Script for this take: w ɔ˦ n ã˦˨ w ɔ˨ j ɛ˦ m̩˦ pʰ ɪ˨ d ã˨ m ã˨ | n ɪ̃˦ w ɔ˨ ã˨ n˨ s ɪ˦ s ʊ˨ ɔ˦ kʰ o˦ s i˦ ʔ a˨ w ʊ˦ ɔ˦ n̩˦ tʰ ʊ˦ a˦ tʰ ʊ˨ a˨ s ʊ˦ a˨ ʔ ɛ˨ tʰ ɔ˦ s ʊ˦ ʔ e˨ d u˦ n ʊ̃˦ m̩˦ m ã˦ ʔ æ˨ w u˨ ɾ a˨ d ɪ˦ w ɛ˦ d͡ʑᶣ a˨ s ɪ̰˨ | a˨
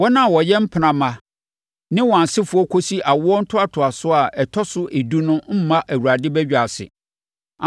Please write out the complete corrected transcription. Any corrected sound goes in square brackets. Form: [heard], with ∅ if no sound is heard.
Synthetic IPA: w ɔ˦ n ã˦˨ w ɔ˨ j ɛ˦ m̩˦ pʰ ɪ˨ [n] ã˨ m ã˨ | n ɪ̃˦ w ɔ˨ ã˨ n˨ s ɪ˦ [f] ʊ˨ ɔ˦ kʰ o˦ s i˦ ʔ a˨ w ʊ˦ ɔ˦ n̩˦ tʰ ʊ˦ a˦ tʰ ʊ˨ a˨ s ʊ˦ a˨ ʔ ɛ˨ tʰ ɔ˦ s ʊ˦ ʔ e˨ d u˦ n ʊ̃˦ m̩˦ m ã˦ ʔ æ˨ w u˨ ɾ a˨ d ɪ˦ [b] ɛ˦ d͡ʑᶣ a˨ s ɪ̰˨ | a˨